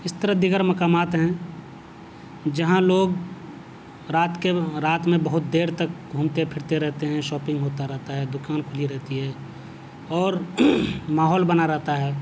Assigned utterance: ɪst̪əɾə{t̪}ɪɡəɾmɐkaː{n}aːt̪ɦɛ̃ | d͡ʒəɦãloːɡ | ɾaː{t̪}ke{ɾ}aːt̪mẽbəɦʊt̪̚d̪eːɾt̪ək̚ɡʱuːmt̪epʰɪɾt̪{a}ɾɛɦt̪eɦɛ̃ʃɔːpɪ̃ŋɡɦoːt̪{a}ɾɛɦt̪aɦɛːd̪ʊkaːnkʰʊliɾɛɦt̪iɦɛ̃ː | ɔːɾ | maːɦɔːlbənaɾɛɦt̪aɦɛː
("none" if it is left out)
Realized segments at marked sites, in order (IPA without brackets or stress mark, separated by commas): d̪, m, t̪, ɾ, e, a